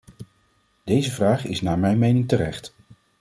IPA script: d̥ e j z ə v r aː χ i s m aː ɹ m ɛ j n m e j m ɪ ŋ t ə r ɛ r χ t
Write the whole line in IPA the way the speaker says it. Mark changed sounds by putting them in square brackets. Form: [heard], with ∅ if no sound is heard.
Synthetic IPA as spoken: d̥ e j z ə v r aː χ [ɪ] s [n] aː ɹ m ɛ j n m e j [n] ɪ ŋ t ə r ɛ [∅] χ t